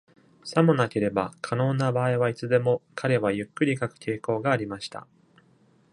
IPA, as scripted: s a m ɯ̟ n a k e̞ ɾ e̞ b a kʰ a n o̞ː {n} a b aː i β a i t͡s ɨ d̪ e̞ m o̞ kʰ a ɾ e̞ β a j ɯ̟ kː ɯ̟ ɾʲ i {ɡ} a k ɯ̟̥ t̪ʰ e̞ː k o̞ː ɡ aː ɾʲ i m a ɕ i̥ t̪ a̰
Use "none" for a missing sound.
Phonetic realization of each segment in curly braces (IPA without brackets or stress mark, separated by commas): n, k